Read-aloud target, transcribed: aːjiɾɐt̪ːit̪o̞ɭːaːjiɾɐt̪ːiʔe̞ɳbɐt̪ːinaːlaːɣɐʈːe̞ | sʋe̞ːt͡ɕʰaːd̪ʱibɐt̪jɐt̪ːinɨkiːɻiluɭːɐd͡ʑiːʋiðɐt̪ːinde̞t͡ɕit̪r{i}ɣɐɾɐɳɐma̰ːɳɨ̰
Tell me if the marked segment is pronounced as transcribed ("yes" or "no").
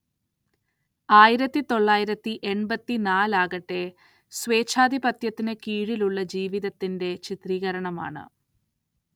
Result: no